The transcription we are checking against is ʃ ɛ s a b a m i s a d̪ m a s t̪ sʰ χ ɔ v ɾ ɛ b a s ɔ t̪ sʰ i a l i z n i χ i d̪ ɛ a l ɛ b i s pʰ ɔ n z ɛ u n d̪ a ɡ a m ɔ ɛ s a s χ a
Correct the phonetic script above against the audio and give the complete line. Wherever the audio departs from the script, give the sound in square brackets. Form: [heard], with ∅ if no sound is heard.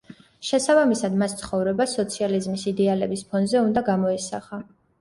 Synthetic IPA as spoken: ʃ ɛ s a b a m i s a d̪ m a s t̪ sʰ χ ɔ v ɾ ɛ b a s ɔ t̪ sʰ i a l i z [m] i [s] i d̪ ɛ a l ɛ b i s pʰ ɔ n z ɛ u n d̪ a ɡ a m ɔ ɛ s a [∅] χ a